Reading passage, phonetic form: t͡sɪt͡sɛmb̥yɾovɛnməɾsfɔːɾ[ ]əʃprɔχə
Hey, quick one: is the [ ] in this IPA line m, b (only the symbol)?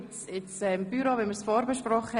b